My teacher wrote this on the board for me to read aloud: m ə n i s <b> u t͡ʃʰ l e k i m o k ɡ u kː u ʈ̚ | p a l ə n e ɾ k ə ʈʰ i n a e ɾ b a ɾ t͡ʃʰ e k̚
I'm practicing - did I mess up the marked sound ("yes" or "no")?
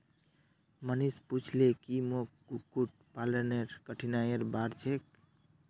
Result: yes